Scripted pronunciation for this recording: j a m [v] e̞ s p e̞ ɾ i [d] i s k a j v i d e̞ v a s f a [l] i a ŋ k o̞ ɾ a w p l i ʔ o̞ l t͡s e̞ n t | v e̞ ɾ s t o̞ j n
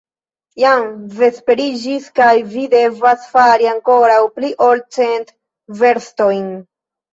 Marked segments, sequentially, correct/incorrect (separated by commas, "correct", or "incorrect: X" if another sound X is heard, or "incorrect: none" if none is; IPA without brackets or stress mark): correct, incorrect: d͡ʒ, incorrect: ɾ